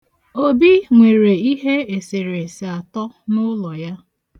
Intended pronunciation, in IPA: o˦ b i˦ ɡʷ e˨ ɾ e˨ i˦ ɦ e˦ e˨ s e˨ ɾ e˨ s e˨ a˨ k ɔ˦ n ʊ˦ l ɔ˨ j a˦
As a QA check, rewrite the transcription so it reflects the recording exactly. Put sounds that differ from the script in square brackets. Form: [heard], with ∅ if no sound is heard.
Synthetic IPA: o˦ b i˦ [ŋʷ] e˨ ɾ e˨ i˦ ɦ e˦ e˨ s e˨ ɾ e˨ s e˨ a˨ [t] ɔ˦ n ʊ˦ l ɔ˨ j a˦